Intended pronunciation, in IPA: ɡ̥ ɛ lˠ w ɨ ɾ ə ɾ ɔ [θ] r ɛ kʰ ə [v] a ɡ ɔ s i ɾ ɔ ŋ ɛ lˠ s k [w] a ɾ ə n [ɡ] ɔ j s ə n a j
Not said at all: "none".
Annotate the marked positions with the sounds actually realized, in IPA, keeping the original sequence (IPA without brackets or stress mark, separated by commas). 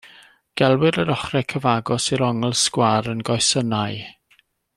χ, v, w, ɡ